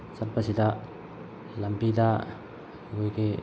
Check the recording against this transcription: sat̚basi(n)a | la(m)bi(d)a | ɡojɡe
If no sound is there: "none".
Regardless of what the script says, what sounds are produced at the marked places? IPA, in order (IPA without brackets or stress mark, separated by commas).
d, m, d